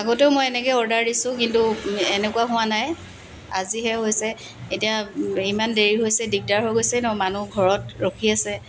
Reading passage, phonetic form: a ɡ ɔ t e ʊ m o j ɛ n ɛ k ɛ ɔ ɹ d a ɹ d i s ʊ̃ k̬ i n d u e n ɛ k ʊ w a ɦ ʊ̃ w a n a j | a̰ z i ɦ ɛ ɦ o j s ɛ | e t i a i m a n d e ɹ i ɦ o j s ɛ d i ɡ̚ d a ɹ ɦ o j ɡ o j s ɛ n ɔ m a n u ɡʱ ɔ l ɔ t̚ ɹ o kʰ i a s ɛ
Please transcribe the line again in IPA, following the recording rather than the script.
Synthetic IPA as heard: a ɡ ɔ t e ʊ m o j ɛ n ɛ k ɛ ɔ ɹ d a ɹ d i s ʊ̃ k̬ i n t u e n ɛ k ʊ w a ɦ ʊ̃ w a n a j | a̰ z i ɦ ɛ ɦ o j s ɛ | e t i a i m a n d e ɹ i ɦ o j s ɛ d i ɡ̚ d a ɹ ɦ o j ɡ o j s ɛ n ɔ m a n u ɡʱ ɔ ɹ ɔ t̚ ɹ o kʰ i a s ɛ